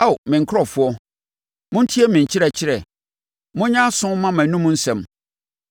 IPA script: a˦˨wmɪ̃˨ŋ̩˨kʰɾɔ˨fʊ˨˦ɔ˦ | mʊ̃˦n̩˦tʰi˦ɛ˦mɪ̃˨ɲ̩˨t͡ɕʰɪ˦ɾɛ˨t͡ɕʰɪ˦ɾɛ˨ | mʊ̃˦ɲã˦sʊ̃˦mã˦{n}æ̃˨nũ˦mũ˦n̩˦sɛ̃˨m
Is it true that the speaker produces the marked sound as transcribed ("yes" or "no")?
no